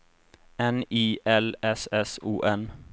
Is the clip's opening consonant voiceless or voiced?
voiced